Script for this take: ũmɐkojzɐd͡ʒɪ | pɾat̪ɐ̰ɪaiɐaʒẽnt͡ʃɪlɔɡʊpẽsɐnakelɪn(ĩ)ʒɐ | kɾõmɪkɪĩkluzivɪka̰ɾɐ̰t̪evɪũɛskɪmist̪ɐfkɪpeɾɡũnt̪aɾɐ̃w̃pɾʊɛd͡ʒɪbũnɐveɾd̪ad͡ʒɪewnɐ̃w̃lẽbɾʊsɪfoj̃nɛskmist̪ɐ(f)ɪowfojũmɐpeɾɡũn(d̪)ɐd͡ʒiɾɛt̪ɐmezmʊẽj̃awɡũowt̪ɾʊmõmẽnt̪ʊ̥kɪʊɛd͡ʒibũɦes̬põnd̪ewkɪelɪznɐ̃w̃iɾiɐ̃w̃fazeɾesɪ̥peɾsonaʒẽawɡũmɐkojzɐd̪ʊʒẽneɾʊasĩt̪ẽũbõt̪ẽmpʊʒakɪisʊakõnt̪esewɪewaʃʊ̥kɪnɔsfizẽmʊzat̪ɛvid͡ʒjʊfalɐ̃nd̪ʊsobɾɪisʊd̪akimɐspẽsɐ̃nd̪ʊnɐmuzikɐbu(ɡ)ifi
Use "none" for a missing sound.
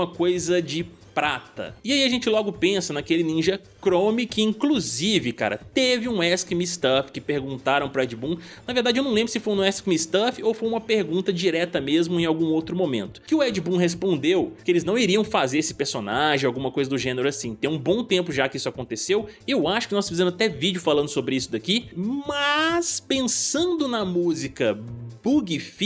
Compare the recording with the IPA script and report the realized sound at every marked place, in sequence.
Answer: ĩ, f, t̪, ɡ

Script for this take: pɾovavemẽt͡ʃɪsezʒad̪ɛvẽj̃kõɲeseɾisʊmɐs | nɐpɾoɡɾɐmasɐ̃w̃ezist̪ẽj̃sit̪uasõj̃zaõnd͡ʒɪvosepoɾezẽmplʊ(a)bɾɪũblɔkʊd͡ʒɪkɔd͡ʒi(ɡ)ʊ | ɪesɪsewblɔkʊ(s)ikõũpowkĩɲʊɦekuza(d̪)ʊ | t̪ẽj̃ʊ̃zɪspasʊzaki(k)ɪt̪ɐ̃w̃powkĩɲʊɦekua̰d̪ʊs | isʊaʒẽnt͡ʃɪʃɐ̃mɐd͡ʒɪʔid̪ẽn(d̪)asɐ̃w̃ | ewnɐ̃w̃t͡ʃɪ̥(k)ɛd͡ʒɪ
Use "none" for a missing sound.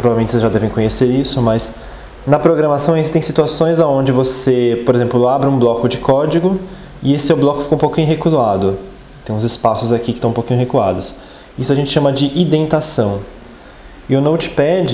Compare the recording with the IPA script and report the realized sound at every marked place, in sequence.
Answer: a, ɡ, f, d̪, k, t̪, p

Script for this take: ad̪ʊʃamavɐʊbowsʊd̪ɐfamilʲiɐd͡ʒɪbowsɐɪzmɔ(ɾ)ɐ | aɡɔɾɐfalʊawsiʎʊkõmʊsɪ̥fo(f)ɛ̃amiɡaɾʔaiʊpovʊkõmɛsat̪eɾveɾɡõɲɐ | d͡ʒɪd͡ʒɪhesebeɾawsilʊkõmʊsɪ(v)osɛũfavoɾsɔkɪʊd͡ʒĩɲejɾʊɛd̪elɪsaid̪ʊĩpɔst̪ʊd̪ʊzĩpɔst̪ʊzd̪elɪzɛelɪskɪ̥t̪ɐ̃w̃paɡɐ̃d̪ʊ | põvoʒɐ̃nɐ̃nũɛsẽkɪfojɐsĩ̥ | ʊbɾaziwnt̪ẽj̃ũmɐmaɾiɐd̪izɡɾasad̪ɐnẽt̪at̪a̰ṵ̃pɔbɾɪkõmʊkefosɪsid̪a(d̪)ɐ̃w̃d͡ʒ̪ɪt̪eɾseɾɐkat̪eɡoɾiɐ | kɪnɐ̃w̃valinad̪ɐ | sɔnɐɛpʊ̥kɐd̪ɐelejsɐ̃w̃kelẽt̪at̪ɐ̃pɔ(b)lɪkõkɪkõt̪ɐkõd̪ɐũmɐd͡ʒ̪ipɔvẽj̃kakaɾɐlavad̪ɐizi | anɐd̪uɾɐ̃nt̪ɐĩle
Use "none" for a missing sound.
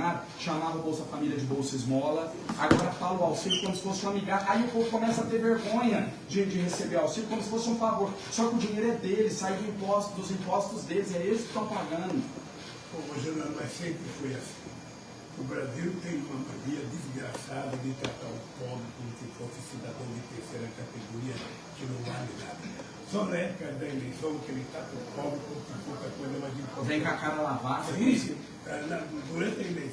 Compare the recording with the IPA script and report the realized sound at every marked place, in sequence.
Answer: l, s, f, d̪, b

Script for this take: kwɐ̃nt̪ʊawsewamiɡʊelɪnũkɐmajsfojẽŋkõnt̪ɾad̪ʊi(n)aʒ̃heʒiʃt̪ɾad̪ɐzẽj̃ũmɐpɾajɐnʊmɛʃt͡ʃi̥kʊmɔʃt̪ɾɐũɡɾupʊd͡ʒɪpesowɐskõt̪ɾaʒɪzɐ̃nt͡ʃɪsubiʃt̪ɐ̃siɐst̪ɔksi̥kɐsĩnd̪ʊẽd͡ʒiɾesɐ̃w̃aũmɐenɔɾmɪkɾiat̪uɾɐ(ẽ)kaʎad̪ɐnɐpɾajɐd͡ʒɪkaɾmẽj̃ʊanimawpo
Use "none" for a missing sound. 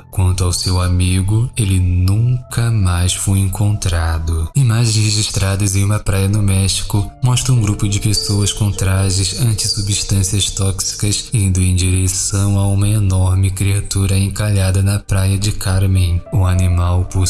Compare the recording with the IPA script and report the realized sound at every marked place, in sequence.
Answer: m, ẽ

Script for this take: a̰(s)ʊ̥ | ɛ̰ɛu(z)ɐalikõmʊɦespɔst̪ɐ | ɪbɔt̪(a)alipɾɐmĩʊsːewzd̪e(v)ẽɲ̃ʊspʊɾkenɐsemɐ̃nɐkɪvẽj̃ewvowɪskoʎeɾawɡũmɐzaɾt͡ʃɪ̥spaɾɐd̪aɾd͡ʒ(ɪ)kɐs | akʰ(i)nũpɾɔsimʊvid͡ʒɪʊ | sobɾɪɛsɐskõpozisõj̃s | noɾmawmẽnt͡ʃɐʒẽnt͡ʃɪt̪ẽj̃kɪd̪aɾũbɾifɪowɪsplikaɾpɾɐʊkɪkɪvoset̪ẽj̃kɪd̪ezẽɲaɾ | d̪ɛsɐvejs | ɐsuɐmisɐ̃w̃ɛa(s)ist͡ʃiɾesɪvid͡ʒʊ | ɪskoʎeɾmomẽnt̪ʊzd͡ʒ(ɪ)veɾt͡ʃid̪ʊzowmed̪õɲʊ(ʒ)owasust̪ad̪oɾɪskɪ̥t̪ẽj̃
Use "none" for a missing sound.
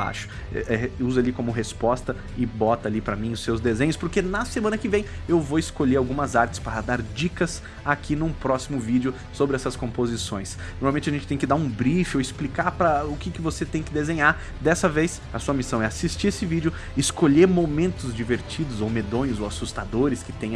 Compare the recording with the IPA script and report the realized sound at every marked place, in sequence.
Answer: ʃ, z, ɐ, z, i, i, s, i, z

